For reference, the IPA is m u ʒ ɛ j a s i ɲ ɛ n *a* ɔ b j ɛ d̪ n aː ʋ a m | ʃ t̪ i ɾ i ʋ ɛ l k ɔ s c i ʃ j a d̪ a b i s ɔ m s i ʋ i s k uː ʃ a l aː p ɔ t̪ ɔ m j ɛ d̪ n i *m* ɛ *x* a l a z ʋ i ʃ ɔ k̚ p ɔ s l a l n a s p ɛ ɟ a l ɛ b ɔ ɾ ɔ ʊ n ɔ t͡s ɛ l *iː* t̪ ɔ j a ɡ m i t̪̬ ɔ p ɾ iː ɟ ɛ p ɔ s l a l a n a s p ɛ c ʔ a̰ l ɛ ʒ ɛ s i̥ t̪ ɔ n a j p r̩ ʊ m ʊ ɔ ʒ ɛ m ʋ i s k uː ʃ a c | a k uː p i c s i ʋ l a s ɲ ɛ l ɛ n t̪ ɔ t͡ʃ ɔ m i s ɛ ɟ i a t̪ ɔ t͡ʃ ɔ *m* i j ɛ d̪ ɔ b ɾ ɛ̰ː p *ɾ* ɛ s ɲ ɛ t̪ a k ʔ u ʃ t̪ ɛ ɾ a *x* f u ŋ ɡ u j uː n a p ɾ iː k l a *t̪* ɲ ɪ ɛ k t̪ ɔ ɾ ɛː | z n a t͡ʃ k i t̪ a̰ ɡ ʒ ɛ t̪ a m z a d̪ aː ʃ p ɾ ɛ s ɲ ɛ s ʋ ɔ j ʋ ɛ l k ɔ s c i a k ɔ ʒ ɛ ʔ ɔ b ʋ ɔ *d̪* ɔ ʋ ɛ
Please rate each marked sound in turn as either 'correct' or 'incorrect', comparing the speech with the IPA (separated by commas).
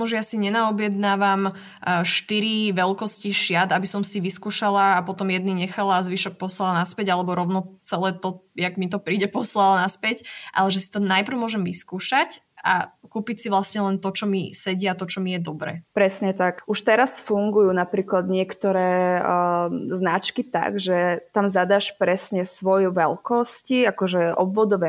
correct, incorrect, correct, incorrect, correct, correct, incorrect, incorrect, correct